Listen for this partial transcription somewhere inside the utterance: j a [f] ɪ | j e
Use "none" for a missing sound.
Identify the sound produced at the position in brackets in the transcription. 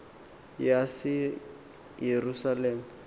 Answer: s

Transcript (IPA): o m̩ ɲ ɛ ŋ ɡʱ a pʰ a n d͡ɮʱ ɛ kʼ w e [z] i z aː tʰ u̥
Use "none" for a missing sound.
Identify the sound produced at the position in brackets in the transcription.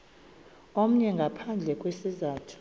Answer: s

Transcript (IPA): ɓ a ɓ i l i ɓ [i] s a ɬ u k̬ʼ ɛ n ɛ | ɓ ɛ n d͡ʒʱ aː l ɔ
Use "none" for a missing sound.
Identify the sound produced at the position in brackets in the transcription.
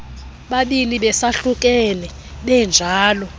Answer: ɛ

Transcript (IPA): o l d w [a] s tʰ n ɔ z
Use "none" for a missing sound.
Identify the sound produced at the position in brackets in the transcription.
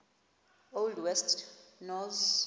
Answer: ɛ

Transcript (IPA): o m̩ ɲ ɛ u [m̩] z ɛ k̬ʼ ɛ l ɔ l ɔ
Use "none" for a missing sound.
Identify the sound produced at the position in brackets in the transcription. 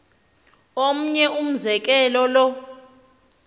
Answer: m̩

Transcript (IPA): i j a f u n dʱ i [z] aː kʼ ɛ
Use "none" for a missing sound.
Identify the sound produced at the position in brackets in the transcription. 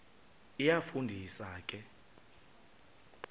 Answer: s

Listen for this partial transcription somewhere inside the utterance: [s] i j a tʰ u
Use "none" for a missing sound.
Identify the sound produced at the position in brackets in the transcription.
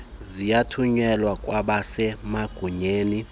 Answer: z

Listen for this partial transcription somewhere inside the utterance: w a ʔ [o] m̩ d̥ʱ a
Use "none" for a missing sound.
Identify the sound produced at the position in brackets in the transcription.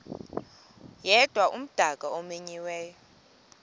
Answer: u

